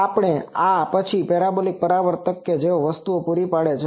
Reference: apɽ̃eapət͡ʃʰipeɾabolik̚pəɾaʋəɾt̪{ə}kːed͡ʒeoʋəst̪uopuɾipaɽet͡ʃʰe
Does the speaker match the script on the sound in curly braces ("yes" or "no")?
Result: yes